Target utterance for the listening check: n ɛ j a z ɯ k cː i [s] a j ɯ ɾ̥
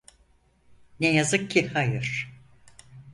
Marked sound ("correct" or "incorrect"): incorrect